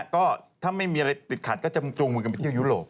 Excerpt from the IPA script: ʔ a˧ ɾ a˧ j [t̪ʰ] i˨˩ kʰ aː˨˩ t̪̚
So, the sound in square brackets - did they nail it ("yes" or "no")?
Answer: no